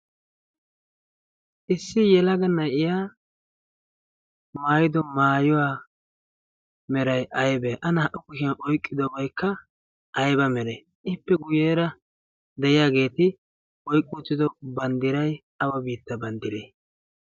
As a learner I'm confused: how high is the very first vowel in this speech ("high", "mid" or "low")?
high